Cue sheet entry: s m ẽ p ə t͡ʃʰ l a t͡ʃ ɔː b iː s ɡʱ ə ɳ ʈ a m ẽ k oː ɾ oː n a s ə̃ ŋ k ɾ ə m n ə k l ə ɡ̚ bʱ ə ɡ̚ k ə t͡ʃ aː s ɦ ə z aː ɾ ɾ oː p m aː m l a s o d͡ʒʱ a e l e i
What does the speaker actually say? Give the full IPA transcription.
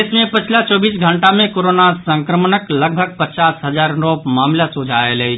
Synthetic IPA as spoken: s m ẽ p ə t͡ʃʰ l a t͡ʃ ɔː b iː s ɡʱ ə ɳ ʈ a m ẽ k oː ɾ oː n a s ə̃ ŋ k ɾ ə m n ə k l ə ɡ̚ bʱ ə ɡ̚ p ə t͡ʃ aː s ɦ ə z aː ɾ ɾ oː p m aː m l a s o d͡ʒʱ a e l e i